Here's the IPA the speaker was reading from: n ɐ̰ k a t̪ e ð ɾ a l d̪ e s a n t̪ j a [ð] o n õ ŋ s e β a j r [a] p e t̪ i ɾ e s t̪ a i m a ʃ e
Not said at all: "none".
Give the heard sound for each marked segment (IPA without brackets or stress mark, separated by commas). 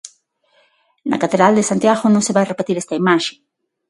ɣ, e